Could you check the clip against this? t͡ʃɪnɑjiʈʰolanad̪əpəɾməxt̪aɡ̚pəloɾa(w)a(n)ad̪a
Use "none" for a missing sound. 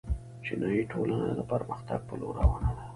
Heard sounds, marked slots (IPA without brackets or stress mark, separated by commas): w, n